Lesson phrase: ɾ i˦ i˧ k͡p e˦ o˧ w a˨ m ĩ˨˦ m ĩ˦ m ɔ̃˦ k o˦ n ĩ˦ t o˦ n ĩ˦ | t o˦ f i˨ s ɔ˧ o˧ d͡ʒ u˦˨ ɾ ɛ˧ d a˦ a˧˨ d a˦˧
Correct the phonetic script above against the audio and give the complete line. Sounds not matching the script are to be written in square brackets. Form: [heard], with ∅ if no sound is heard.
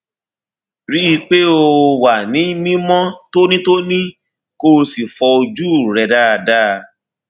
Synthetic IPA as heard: ɾ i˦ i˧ k͡p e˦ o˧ w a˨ [n] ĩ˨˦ m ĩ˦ m ɔ̃˦ [t] o˦ n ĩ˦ t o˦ n ĩ˦ | [k] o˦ [s] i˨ [f] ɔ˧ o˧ d͡ʒ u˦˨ ɾ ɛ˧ d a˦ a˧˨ d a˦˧